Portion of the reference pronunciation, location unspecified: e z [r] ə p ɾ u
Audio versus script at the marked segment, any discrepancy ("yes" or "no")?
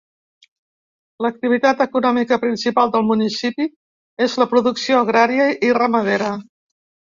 yes